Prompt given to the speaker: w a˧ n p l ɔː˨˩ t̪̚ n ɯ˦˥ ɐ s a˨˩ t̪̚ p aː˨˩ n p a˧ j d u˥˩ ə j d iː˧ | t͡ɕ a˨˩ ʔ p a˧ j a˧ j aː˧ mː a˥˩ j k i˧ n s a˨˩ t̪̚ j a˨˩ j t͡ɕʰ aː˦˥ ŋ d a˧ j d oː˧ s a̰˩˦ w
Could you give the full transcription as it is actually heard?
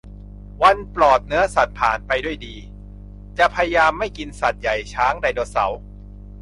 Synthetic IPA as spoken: w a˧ n p l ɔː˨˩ t̪̚ n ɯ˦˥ ɐ s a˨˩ t̪̚ pʰ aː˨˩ n p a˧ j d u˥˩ ə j d iː˧ | t͡ɕ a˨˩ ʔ pʰ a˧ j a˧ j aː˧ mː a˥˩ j k i˧ n s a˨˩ t̪̚ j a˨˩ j t͡ɕʰ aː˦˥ ŋ d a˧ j d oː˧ s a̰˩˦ w

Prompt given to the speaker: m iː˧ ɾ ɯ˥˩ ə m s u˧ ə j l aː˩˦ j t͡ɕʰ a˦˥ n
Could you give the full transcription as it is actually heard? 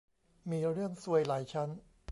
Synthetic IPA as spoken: m iː˧ ɾ ɯ˥˩ ə ŋ s u˧ ə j l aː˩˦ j t͡ɕʰ a˦˥ n

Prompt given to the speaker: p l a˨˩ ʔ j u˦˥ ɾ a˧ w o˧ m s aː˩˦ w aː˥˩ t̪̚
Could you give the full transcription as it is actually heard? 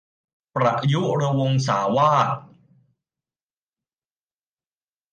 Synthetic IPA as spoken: p ɾ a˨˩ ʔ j u˦˥ ɾ a˧ w o˧ ŋ s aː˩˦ w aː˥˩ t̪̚

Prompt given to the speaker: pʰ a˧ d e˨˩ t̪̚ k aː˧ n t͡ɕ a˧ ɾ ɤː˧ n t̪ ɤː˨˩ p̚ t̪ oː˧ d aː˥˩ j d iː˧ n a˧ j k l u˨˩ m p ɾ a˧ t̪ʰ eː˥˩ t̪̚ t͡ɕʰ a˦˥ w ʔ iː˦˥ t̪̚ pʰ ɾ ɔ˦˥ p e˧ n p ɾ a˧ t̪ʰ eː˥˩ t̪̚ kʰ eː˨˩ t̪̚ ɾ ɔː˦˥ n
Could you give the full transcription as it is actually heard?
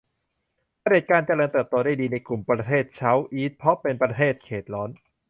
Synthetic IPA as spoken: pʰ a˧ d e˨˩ t̪̚ k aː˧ n t͡ɕ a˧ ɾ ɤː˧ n t̪ ɤː˨˩ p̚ t̪ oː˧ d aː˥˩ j d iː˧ n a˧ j k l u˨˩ m p ɾ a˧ t̪ʰ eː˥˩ t̪̚ t͡ɕʰ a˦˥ w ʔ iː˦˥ t̪̚ pʰ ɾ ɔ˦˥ p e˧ n p ɾ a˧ t̪ʰ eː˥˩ t̪̚ kʰ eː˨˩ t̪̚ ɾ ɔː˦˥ n

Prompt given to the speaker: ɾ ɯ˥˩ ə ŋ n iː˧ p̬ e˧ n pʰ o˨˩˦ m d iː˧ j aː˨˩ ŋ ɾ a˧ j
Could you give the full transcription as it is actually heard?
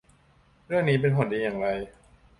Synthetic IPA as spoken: ɾ ɯ˥˩ ə ŋ n iː˦˥ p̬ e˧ n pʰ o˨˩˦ n d iː˧ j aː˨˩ ŋ ɾ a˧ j

